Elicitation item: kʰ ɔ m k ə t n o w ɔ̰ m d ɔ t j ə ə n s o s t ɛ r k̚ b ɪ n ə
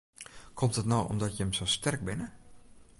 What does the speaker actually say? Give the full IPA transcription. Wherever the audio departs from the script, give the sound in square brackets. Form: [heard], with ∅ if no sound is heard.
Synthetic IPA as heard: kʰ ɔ m [t] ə t n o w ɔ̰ m d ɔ t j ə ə [m] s o s t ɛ r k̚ b ɪ n ə